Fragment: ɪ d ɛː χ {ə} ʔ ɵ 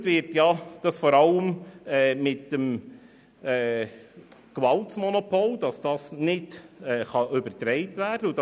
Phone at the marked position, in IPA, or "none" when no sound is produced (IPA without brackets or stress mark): ɑ